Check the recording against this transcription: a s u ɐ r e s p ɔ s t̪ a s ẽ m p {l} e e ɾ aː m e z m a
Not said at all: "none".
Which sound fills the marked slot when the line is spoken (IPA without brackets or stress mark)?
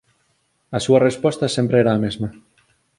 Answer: ɾ